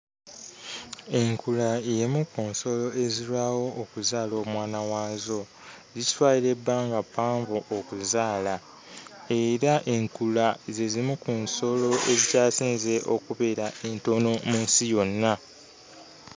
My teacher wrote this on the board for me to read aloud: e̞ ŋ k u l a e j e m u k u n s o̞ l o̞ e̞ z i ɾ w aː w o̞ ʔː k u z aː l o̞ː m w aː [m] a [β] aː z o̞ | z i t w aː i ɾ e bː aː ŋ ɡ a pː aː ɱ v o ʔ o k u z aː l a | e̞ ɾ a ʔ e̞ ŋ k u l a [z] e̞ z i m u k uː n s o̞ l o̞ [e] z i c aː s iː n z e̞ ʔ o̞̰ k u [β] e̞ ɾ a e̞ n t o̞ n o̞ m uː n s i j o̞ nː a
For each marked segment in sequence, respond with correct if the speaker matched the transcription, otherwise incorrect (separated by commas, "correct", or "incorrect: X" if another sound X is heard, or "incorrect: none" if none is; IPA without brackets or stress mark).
incorrect: n, incorrect: w, correct, correct, correct